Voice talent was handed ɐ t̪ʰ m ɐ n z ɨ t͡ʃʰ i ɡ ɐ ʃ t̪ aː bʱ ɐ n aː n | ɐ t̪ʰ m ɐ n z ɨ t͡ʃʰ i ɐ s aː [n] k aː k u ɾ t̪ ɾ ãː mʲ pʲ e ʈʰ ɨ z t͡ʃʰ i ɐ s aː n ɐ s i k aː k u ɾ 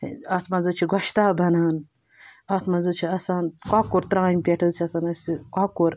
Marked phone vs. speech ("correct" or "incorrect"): correct